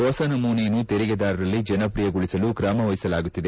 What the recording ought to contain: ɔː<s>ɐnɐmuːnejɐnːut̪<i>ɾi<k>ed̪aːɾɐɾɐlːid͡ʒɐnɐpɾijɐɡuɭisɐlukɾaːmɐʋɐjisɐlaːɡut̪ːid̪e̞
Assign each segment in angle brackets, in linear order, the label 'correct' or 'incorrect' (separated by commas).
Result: correct, incorrect, incorrect